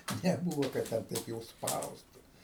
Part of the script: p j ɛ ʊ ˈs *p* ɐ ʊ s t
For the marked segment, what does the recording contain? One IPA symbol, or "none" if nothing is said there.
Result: p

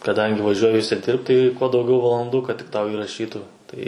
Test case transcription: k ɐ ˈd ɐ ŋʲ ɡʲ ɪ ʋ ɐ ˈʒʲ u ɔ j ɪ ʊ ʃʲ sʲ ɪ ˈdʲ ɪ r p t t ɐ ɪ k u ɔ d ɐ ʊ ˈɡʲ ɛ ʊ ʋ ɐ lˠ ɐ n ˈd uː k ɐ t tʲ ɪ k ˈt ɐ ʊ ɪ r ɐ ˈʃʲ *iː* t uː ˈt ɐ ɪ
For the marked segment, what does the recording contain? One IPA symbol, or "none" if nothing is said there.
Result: iː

